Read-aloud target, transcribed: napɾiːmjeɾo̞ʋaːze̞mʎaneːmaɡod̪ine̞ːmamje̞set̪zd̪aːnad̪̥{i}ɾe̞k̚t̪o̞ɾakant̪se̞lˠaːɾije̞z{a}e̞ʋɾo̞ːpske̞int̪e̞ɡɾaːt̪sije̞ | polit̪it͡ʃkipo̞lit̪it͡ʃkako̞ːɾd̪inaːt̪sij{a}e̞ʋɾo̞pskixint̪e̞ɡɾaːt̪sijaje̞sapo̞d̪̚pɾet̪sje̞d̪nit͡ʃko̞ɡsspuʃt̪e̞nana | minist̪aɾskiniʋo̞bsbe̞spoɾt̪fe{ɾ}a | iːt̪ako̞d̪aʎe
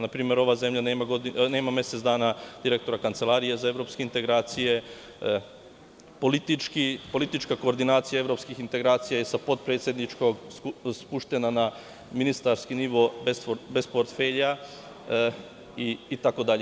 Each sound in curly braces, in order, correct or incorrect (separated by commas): correct, correct, correct, incorrect